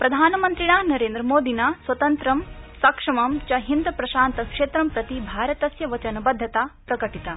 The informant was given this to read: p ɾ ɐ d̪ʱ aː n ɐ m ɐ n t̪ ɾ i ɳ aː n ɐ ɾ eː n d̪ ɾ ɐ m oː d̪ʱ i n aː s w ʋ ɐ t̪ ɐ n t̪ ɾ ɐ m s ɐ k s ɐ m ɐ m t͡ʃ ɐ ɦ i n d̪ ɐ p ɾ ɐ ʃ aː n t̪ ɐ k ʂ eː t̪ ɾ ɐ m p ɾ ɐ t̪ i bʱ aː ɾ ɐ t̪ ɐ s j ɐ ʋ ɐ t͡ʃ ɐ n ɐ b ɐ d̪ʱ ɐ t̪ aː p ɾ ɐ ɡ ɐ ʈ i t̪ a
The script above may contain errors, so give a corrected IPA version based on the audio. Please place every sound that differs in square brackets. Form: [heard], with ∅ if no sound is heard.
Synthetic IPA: p ɾ ɐ d̪ʱ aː n ɐ m ɐ n t̪ ɾ i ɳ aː n ɐ ɾ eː n d̪ ɾ ɐ m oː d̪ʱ i n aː s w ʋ ɐ t̪ ɐ n t̪ ɾ ɐ m s ɐ k [ʂ] ɐ m ɐ m t͡ʃ ɐ ɦ i n d̪ ɐ p ɾ ɐ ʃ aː n t̪ ɐ k ʂ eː t̪ ɾ ɐ m p ɾ ɐ t̪ i bʱ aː ɾ ɐ t̪ ɐ s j ɐ ʋ ɐ t͡ʃ ɐ n ɐ b ɐ [d̪ʱː] ɐ t̪ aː p ɾ ɐ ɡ ɐ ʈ i t̪ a